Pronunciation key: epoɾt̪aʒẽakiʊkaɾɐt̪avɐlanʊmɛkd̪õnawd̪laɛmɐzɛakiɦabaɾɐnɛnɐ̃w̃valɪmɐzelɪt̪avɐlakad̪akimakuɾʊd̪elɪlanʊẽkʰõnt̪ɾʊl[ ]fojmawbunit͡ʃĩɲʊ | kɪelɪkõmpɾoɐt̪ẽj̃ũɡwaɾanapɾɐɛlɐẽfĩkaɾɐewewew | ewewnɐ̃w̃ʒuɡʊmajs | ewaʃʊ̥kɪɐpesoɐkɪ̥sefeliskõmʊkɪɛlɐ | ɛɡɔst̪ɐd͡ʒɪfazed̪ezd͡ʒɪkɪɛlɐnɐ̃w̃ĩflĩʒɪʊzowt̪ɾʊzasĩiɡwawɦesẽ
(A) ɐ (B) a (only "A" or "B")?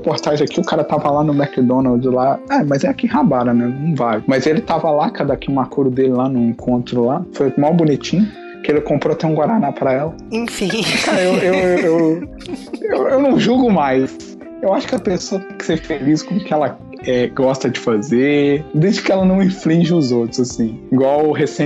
B